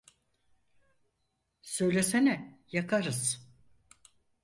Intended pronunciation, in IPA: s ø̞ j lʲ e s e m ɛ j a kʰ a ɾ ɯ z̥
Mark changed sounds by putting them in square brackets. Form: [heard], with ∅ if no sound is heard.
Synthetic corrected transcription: s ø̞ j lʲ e s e [n] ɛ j a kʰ a ɾ ɯ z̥